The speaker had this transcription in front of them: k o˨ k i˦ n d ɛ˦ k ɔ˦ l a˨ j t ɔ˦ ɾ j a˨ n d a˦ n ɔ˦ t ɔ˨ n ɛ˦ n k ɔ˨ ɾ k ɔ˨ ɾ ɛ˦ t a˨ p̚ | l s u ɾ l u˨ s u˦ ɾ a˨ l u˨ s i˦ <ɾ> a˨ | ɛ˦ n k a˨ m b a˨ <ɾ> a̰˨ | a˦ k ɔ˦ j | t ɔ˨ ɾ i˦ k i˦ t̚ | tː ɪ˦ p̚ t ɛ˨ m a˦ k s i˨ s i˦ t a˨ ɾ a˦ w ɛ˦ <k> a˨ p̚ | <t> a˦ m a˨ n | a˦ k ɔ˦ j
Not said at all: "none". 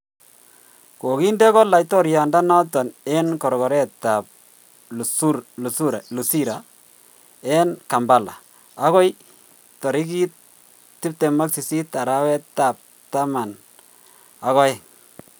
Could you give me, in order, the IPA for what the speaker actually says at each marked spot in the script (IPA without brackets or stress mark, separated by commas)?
ɾ, l, t, t